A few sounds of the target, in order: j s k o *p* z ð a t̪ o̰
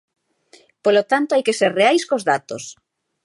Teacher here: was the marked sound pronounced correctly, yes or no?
no